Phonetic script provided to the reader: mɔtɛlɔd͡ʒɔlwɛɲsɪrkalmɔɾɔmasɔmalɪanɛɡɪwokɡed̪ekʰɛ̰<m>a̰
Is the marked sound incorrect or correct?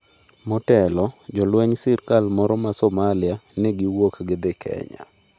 incorrect